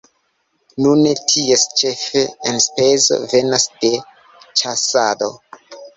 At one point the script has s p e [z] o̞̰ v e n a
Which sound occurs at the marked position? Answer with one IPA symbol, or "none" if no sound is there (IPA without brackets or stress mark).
z